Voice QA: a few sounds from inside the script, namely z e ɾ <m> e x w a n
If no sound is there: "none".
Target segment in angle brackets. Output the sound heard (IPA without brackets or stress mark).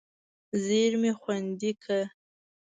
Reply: m